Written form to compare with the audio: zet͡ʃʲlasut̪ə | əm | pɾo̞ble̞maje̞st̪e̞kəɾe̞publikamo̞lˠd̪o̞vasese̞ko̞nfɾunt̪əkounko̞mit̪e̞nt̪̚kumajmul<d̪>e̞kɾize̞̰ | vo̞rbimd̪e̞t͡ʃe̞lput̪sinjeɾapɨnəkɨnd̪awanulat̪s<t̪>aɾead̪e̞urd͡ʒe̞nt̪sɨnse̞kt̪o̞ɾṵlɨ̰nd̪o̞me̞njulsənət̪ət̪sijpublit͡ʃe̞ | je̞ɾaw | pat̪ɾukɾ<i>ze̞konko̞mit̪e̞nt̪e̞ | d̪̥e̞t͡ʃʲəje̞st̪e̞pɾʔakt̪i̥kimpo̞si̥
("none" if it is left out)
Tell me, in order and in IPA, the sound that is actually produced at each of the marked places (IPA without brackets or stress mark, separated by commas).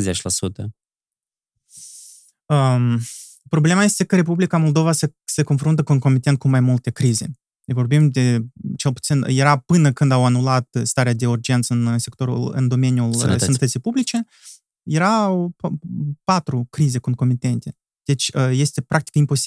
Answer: t̪, t̪, i